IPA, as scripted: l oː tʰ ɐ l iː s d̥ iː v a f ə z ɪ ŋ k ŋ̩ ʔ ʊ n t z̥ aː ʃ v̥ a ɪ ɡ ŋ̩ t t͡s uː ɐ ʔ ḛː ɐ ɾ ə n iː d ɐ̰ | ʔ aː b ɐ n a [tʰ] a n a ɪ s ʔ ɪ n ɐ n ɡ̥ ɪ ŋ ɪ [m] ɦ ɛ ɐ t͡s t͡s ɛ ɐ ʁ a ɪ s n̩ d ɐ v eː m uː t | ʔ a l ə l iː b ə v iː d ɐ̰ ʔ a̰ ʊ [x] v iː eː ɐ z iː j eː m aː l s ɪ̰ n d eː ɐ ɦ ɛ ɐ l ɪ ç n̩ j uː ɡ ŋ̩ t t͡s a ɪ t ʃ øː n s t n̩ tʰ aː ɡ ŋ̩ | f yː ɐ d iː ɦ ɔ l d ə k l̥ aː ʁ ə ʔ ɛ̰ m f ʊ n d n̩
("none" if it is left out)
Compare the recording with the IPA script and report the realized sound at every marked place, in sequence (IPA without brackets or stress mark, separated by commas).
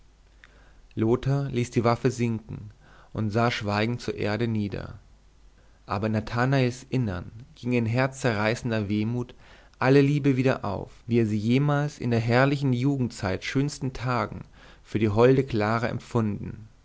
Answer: tʰ, n, f